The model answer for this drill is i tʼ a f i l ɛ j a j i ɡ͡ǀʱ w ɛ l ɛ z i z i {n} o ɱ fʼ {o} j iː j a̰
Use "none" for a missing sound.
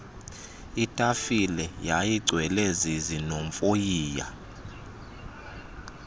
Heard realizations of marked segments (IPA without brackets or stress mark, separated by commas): n, o